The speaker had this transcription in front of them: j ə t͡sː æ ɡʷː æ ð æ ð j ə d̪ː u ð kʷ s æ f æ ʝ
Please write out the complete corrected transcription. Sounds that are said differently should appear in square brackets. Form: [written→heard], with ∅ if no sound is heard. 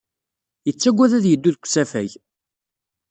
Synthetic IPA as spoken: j ə t͡sː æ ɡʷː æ ð æ ð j ə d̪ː u ð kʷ s æ f æ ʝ